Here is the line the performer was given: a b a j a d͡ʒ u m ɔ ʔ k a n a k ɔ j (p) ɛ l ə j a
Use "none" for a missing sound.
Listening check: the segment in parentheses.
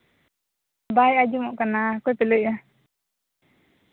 p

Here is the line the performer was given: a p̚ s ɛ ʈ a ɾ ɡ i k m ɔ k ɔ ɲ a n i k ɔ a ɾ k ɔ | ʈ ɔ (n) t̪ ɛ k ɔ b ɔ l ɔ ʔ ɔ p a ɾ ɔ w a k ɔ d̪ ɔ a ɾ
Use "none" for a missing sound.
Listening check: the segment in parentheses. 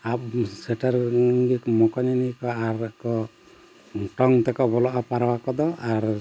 ŋ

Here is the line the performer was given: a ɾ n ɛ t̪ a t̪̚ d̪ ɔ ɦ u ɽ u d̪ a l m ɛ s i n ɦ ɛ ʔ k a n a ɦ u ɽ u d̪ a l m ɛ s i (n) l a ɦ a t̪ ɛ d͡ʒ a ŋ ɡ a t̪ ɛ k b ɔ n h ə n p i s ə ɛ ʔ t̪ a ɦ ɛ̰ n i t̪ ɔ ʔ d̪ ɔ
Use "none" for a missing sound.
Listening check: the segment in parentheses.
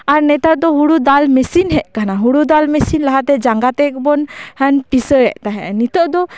n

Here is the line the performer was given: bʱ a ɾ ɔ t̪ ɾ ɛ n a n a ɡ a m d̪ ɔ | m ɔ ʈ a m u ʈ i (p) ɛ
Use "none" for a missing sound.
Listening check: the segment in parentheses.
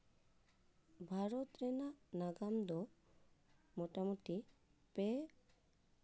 p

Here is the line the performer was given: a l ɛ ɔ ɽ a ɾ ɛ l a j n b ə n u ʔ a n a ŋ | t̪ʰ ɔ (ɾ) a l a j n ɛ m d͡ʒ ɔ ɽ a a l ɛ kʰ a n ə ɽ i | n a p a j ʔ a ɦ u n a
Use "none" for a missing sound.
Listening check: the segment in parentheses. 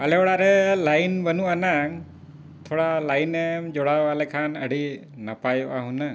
ɽ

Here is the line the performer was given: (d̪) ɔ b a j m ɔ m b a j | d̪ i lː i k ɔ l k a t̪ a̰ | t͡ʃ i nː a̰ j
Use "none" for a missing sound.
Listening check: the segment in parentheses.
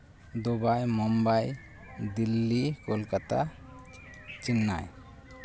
d̪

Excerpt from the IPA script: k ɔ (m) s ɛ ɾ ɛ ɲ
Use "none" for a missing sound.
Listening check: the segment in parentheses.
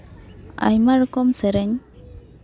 m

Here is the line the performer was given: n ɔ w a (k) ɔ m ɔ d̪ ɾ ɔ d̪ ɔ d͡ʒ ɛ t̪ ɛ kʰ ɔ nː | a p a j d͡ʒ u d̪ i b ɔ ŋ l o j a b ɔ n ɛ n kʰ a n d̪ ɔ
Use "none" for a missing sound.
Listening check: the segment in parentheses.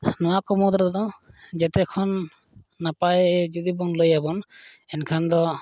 k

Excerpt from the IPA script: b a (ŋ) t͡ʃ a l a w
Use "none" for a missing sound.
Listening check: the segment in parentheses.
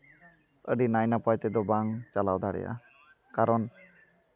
ŋ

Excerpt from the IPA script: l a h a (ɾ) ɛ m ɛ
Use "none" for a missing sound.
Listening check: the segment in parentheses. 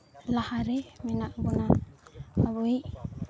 ɾ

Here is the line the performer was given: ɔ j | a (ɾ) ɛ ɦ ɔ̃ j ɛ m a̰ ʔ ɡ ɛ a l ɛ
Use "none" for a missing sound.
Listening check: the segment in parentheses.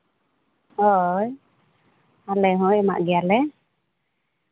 l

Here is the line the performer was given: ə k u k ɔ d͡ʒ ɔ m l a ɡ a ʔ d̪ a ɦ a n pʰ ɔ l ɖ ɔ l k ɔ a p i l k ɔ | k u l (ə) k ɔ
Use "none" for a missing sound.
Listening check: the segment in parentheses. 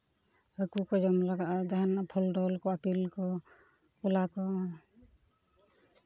a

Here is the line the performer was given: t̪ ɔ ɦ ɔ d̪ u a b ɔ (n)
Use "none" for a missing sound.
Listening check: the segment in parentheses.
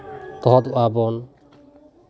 n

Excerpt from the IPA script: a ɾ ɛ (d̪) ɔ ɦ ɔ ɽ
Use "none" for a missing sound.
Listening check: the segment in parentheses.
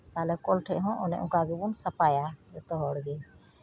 t̪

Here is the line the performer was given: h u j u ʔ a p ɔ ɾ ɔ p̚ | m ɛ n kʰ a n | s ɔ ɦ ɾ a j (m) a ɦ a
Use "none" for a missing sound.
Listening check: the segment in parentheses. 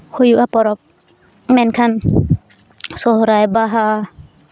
b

